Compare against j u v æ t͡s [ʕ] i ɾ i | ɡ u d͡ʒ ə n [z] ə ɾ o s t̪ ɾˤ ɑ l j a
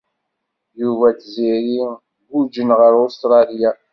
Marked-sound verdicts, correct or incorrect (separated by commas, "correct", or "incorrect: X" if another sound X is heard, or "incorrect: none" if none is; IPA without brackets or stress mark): incorrect: z, incorrect: ʁ